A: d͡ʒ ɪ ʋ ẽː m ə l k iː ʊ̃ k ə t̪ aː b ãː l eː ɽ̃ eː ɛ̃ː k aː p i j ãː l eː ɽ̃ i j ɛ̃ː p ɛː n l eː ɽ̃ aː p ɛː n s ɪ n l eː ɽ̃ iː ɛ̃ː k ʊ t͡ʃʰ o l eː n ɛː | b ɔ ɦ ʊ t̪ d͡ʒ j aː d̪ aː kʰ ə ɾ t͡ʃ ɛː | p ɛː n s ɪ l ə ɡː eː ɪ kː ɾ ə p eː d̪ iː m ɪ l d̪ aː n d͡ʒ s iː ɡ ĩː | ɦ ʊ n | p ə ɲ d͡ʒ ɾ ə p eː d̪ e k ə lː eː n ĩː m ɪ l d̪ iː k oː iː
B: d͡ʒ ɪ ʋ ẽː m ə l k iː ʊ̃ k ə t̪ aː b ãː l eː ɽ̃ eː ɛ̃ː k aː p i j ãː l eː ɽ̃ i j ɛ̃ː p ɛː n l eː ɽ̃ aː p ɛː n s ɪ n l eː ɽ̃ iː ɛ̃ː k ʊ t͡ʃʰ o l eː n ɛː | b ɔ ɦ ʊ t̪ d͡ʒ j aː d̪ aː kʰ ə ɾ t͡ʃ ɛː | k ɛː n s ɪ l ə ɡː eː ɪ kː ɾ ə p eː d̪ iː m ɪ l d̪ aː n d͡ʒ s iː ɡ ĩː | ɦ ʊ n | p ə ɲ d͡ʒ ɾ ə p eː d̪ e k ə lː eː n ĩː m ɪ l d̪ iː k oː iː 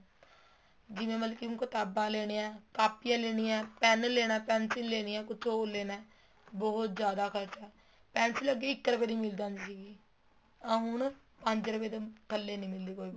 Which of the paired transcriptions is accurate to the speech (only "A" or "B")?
A